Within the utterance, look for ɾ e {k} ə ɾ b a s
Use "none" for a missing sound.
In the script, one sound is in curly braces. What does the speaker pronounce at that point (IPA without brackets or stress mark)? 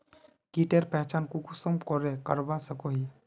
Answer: k